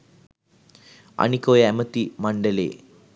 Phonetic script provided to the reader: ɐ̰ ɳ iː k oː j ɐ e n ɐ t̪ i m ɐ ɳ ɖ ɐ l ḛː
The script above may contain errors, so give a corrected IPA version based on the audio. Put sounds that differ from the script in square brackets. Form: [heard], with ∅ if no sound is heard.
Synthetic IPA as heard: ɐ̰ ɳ [i] k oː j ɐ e [m] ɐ t̪ i m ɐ ɳ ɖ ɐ l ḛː